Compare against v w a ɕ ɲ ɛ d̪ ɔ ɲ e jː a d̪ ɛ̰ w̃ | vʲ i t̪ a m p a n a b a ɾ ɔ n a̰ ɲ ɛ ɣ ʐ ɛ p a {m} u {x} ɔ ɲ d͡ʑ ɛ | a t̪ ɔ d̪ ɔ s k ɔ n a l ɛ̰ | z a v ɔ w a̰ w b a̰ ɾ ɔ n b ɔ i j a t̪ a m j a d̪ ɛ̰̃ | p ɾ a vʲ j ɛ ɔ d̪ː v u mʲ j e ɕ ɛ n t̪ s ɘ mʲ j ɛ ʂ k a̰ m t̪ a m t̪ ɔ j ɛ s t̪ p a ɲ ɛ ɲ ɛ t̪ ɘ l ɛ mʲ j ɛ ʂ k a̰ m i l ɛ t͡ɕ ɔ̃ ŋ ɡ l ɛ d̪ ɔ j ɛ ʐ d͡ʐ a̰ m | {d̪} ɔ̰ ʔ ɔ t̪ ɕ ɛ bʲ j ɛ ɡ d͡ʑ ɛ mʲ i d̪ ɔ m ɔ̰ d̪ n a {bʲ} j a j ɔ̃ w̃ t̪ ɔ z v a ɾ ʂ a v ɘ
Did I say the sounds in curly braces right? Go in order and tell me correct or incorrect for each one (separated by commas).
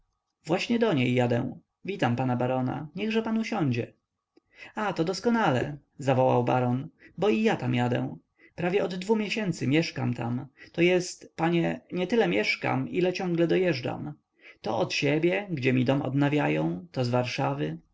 incorrect, incorrect, incorrect, incorrect